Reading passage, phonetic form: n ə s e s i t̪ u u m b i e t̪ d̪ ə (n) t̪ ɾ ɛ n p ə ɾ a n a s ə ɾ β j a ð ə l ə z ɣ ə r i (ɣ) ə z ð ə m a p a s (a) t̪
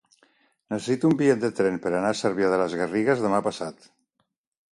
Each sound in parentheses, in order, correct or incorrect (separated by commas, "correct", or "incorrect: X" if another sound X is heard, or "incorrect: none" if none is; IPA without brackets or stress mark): incorrect: none, correct, correct